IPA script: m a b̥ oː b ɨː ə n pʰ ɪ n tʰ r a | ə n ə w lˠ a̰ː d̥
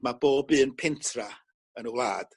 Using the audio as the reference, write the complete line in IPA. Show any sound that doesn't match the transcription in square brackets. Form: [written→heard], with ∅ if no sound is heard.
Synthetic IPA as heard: m a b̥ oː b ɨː ə n pʰ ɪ n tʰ r a | ə n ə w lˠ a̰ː d̥